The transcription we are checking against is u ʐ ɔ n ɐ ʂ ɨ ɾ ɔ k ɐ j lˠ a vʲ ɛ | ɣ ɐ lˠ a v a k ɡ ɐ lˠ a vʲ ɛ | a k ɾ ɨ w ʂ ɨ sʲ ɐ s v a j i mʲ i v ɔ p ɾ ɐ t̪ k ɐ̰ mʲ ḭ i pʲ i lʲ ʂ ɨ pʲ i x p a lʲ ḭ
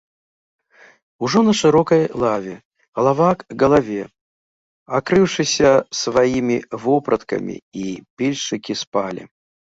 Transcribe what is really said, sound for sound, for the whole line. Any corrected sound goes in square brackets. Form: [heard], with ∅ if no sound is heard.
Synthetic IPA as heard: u ʐ ɔ n ɐ ʂ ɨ ɾ ɔ k ɐ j lˠ a vʲ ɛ | ɣ ɐ lˠ a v a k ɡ ɐ lˠ a vʲ ɛ | a k ɾ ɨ w ʂ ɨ sʲ ɐ s v a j i mʲ i v ɔ p ɾ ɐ t̪ k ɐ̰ mʲ ḭ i pʲ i lʲ ʂ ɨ [kʲ] i [s] p a lʲ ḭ